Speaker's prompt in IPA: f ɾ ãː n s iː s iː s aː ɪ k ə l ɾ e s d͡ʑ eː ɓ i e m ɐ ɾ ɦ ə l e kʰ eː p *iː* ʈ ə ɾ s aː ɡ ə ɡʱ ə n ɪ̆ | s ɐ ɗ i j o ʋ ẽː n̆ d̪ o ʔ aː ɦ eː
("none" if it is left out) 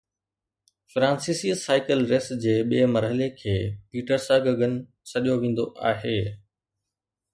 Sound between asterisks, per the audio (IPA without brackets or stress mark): iː